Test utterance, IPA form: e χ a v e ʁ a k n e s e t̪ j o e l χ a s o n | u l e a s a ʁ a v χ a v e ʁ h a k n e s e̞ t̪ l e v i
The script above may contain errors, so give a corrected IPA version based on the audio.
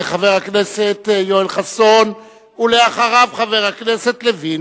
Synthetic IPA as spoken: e χ a v e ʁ a k n e s e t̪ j o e l χ a s o n | u l e a χ a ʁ a v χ a v e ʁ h a k n e s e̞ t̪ l e v i